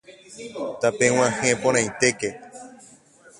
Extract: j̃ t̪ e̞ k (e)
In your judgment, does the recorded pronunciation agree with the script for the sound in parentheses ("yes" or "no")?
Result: yes